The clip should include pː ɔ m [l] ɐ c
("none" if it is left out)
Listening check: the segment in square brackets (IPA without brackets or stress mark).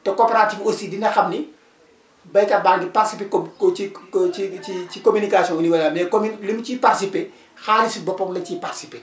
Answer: l